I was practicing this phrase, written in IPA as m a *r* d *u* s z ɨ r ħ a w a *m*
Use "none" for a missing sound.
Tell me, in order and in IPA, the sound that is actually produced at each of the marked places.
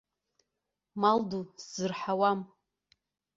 l, u, m

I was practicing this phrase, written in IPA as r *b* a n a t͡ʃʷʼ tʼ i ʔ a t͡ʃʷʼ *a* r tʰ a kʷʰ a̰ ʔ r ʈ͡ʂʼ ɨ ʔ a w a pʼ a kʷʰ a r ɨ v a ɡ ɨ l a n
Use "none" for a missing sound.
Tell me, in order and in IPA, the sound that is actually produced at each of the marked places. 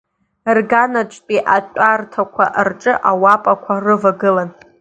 ɡ, a

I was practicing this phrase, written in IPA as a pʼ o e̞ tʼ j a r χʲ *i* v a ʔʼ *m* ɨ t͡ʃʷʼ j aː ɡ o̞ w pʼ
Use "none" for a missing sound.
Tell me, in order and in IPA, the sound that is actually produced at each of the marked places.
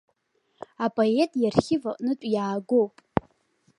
ɪ, n

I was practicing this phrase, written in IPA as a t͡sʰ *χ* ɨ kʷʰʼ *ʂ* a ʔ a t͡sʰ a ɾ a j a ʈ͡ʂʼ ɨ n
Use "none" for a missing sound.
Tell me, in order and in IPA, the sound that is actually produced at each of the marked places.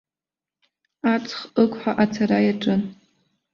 χ, ħ

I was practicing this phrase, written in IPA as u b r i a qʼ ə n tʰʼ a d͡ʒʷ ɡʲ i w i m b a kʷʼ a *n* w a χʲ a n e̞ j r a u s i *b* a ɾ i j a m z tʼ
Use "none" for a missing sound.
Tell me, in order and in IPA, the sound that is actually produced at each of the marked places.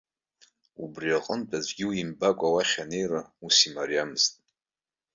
none, m

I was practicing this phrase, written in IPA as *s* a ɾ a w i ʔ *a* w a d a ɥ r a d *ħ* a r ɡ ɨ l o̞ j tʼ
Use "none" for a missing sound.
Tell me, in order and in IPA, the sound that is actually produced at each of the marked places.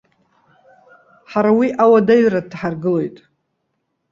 ħ, a, ħ

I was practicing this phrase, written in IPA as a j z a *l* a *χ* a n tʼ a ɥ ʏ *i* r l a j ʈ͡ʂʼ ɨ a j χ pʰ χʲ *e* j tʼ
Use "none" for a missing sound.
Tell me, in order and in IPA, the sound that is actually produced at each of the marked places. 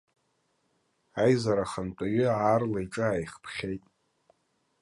ɾ, χ, a, e

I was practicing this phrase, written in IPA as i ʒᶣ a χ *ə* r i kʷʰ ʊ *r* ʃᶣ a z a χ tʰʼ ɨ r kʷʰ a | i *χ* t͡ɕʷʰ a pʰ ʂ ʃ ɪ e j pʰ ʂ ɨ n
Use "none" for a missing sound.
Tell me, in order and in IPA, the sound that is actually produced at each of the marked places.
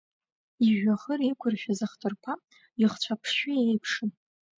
ə, r, χ

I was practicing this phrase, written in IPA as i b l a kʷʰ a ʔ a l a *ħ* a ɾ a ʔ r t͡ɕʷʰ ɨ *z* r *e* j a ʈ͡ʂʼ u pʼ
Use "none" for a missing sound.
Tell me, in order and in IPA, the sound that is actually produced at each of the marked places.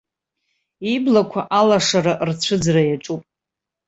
ʂ, d͡z, a

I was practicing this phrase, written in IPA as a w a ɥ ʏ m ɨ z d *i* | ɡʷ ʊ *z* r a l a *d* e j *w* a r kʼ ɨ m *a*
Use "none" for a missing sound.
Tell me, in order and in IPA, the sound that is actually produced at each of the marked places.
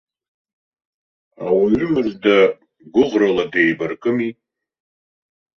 a, ʁ, d, b, i

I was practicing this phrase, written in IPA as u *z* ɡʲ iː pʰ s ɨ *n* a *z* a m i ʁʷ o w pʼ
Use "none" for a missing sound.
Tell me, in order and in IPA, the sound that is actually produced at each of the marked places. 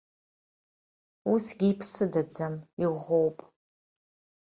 s, d, d͡z

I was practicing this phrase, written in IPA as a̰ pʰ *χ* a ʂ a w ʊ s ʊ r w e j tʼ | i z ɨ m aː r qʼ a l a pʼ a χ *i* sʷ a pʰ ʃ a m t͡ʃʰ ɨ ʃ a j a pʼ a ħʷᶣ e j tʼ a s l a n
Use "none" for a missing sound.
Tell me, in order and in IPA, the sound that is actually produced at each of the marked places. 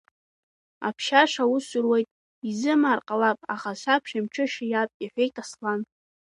ʃ, a

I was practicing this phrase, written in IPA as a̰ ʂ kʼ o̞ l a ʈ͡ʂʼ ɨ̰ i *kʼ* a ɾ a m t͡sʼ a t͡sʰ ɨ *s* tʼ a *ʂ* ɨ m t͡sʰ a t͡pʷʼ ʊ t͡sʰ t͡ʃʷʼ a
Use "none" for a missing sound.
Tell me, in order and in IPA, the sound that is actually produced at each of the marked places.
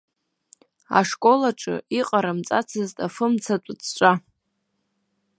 qʼ, z, f

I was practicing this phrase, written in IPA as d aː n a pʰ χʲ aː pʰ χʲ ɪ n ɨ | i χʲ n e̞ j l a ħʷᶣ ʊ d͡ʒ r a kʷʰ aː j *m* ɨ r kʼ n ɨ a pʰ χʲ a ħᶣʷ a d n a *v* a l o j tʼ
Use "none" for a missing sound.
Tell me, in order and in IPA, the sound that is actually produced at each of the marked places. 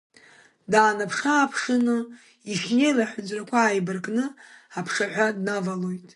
b, v

